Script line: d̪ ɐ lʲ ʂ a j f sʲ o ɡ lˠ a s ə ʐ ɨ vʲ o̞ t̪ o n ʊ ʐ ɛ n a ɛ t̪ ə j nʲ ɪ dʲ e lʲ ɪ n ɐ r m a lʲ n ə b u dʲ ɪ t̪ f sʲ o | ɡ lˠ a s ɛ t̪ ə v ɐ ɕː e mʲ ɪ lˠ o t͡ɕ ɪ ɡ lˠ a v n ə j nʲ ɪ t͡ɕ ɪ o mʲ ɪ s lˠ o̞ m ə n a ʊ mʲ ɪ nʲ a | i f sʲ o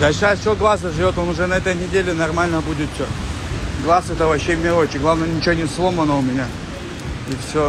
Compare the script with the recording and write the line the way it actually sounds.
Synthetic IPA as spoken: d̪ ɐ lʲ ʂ a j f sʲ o ɡ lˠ a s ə ʐ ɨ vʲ o̞ t̪ o n ʊ ʐ ɛ n ɐ ɛ t̪ ə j nʲ ɪ dʲ e lʲ ɪ n ɐ r m a lʲ n ə b u dʲ ɪ t̪ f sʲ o | ɡ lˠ a s ɛ t̪ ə v ɐ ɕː e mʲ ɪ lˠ o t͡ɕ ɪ ɡ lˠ a v n ə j nʲ ɪ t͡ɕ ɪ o nʲ ɪ s lˠ o̞ m ə n ə ʊ mʲ ɪ nʲ a | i f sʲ o